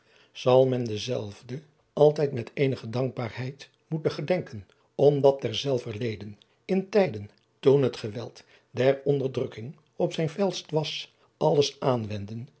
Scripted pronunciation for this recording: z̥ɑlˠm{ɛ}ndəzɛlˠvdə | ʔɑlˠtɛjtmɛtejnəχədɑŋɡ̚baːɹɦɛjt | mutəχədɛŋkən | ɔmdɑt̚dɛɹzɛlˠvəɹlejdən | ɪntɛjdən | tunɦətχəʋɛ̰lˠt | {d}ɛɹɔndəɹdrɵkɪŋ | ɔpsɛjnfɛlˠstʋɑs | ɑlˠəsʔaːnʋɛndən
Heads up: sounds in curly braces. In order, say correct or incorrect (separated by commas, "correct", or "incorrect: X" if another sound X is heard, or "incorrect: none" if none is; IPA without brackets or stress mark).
correct, correct